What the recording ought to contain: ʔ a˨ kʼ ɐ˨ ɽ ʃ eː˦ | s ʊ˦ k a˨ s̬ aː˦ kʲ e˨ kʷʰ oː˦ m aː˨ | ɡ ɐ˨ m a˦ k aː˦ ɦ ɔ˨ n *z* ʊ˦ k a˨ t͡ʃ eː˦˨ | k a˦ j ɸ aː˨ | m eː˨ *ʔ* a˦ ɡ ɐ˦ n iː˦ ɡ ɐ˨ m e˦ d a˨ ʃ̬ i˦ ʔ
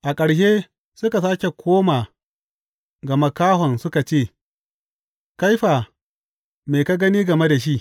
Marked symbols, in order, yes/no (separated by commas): no, no